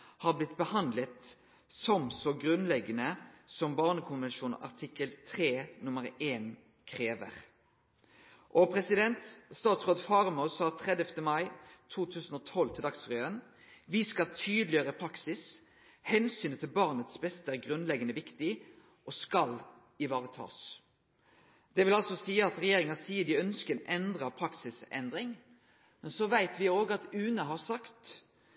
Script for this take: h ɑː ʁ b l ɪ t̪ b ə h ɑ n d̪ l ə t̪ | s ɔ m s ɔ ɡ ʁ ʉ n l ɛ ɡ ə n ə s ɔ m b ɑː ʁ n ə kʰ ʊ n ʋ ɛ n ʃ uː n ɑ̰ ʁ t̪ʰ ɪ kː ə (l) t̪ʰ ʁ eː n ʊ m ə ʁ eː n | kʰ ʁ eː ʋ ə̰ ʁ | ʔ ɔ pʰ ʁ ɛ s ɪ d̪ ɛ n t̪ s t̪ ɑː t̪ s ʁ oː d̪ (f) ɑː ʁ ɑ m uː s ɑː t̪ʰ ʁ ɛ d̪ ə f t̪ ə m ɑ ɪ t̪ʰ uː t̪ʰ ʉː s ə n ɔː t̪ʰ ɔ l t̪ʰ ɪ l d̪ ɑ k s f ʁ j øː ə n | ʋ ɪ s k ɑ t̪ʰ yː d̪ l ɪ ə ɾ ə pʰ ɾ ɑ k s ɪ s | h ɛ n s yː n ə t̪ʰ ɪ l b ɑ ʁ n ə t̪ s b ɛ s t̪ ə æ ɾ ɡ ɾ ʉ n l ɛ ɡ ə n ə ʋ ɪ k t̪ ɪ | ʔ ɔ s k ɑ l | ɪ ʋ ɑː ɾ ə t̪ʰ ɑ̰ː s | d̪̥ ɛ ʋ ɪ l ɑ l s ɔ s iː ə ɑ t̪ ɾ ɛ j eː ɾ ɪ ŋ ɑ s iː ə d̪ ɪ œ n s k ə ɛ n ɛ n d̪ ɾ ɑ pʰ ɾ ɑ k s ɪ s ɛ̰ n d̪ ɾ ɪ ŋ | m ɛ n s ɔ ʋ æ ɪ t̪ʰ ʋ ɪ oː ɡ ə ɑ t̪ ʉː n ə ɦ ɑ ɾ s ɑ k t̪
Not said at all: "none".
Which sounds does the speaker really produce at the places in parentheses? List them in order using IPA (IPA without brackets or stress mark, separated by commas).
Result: l, f